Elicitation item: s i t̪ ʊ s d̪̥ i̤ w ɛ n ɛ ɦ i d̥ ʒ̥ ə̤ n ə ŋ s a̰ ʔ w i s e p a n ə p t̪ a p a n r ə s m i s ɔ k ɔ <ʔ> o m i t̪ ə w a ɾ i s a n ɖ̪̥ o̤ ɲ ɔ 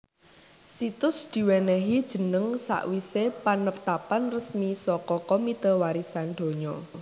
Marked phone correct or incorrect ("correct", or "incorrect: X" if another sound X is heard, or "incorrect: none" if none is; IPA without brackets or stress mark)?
incorrect: k